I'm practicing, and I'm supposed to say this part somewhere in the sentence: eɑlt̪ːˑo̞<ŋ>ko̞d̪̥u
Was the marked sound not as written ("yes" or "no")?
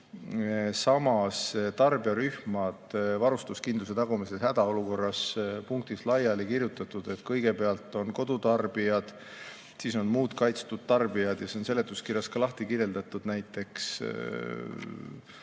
yes